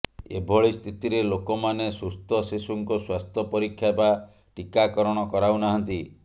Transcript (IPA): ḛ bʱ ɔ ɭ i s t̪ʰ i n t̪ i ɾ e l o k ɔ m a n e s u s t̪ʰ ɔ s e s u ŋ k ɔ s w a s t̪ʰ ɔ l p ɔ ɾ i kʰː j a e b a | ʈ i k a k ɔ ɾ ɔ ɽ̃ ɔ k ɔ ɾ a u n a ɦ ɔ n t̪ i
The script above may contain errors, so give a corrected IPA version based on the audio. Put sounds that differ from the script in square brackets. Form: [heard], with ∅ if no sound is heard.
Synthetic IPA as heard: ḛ bʱ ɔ ɭ i s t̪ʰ i [∅] t̪ i ɾ e l o k ɔ m a n e s u s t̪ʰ ɔ s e s u ŋ k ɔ s w a s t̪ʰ ɔ [∅] p ɔ ɾ i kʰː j a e b a | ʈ i k a k ɔ ɾ ɔ ɽ̃ ɔ k ɔ ɾ a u n a ɦ ɔ n t̪ i